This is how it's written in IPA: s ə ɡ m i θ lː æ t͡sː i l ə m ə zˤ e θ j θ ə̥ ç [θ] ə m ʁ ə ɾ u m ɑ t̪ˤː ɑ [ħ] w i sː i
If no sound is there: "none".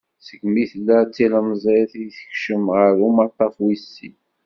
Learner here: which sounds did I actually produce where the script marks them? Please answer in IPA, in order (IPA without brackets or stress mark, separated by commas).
ʃ, f